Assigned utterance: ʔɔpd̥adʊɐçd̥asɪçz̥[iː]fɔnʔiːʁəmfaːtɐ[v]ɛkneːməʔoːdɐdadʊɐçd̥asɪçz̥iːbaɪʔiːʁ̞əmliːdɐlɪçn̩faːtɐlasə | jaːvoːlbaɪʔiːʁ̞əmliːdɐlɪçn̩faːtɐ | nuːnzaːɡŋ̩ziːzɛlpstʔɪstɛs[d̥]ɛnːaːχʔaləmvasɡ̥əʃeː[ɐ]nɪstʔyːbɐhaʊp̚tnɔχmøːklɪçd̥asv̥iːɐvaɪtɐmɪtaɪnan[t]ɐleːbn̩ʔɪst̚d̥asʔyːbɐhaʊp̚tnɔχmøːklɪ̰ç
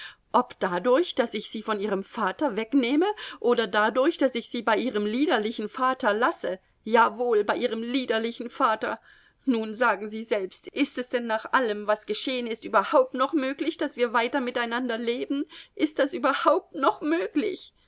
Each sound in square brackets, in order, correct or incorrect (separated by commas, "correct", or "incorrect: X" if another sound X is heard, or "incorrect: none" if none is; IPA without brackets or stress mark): correct, correct, correct, incorrect: ə, incorrect: d